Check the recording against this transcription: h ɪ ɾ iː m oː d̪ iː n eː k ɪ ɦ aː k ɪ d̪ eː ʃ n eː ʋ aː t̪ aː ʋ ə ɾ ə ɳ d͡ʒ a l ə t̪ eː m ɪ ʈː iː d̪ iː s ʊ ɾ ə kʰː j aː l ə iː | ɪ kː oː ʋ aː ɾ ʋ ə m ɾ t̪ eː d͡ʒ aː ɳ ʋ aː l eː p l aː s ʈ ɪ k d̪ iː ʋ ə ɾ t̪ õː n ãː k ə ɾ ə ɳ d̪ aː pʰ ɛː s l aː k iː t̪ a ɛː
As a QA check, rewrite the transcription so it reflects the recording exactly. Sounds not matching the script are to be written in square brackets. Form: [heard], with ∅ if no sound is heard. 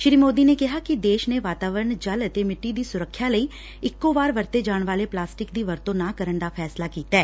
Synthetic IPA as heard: [ʃ] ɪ ɾ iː m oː d̪ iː n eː k ɪ ɦ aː k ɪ d̪ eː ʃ n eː ʋ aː t̪ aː ʋ ə ɾ ə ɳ d͡ʒ [ə] l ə t̪ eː m ɪ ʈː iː d̪ iː s ʊ ɾ ə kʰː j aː l ə iː | ɪ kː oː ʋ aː ɾ ʋ ə [∅] ɾ t̪ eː d͡ʒ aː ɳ ʋ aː l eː p l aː s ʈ ɪ k d̪ iː ʋ ə ɾ t̪ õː n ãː k ə ɾ ə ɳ d̪ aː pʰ ɛː s l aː k iː t̪ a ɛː